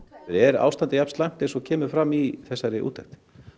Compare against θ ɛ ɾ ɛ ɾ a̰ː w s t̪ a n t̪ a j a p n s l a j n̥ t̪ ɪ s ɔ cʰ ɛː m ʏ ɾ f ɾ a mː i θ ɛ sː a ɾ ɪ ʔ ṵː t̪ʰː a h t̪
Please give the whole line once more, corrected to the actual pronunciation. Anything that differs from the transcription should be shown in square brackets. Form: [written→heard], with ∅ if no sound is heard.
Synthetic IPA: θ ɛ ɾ ɛ ɾ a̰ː w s t̪ a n t̪ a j a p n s l a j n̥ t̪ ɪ s ɔ cʰ ɛː m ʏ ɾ f ɾ a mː i θ ɛ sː a ɾ ɪ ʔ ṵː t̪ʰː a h t̪